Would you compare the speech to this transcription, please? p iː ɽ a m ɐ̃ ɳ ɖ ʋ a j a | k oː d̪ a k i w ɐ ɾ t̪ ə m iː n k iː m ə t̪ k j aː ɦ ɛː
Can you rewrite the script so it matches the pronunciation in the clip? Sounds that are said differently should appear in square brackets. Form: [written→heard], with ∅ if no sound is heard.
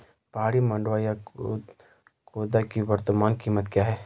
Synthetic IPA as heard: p [iː→aː] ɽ [a→i] m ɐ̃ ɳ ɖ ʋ a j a | k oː d̪ a k i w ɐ ɾ t̪ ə m [iː→aː] n k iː m ə t̪ k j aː ɦ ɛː